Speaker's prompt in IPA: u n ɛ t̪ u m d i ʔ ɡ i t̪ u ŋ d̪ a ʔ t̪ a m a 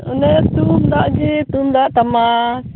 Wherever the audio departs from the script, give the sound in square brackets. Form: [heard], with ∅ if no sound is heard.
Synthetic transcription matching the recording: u n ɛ t̪ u m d [a] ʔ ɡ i t̪ u [m] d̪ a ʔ t̪ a m a